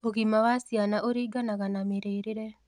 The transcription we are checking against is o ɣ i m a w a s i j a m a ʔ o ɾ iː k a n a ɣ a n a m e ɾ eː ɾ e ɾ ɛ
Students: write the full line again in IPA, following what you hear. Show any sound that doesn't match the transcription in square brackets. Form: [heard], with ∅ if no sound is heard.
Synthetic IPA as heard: o ɣ i m a w a s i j a [n] a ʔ o ɾ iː [ɡ] a n a ɣ a n a m e ɾ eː ɾ e ɾ ɛ